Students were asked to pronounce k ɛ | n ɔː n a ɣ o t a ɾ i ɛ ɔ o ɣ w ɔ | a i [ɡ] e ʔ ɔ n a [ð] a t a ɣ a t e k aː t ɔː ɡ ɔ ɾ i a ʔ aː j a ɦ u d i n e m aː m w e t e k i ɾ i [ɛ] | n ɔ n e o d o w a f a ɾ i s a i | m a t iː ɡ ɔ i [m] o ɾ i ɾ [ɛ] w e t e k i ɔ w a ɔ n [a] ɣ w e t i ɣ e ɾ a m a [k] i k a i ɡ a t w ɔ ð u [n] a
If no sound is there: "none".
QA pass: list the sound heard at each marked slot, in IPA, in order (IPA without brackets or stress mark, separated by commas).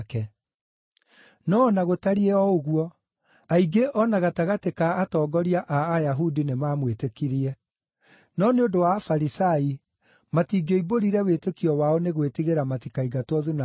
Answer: ɡ, ɣ, ɛ, b, ɛ, e, t, n